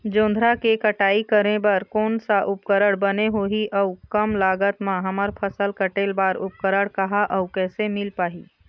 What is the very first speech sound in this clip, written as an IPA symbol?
d͡ʒ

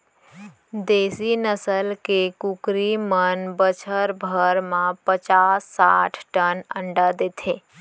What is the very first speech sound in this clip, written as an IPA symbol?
d̪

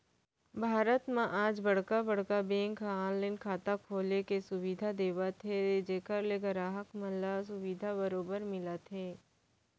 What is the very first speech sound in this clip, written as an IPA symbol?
bʱ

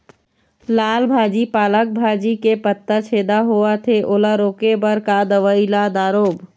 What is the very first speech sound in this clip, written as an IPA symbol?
l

